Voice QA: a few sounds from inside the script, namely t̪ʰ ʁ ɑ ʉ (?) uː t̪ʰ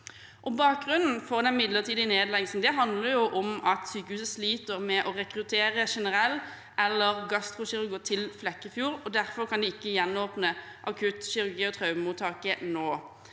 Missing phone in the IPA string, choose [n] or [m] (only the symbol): m